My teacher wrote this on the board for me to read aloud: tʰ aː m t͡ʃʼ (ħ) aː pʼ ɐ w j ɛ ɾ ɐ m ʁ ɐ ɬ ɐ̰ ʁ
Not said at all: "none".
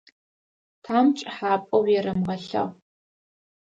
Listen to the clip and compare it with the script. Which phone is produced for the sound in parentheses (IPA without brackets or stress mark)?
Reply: ħ